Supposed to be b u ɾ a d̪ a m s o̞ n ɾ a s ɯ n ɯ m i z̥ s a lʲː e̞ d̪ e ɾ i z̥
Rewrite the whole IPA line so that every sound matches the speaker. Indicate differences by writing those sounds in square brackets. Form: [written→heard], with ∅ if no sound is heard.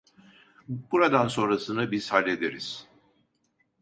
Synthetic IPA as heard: b u ɾ a d̪ a [m→n] s o̞ n ɾ a s ɯ n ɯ [m→b] i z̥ [s→h] a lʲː e̞ d̪ e ɾ i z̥